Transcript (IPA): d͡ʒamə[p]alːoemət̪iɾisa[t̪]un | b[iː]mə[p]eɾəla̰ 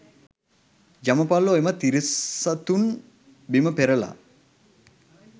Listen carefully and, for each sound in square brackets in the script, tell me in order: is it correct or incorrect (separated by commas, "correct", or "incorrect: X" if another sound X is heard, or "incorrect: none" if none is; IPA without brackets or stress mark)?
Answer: correct, correct, incorrect: i, correct